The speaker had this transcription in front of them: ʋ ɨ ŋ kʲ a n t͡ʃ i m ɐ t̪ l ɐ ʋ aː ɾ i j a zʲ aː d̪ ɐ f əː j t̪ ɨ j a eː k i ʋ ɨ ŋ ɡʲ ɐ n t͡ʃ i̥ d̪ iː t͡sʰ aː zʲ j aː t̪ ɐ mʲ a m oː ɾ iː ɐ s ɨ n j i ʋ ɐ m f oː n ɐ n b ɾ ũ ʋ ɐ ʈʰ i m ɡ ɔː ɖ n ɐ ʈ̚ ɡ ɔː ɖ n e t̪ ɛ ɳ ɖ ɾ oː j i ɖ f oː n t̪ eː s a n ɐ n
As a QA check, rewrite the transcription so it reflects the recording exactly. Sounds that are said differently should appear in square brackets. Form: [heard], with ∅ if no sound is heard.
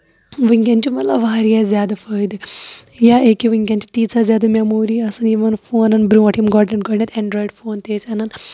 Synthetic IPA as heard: ʋ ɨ ŋ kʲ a n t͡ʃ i m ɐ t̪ l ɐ ʋ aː ɾ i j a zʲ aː d̪ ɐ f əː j [d̪] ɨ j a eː k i ʋ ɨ ŋ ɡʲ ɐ n t͡ʃ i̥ [t̪] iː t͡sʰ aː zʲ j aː [d̪] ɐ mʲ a m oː ɾ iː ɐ s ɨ n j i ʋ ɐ [n] f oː n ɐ n b ɾ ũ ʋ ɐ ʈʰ i m ɡ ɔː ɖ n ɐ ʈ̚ ɡ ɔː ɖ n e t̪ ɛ ɳ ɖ ɾ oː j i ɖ f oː n t̪ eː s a n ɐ n